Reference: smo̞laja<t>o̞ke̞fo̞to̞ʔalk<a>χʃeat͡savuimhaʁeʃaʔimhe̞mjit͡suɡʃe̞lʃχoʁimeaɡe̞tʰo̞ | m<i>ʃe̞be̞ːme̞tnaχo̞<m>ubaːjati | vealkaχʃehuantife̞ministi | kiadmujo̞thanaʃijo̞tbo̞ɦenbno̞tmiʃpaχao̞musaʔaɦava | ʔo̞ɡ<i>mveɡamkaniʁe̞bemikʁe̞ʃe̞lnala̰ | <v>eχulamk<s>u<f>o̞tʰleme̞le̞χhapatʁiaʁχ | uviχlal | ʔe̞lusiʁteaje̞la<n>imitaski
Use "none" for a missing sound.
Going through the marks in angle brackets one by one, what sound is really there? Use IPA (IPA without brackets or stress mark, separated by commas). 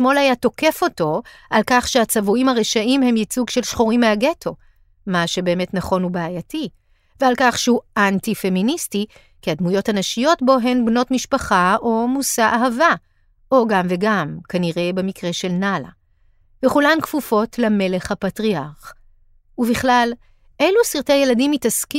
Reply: t, a, a, n, a, v, f, f, d